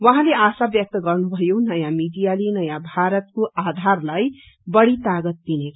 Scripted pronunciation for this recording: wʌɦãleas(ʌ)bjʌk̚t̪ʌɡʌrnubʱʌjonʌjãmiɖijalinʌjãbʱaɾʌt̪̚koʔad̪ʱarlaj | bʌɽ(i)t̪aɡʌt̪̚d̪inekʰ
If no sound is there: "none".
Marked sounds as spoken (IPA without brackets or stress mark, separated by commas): a, i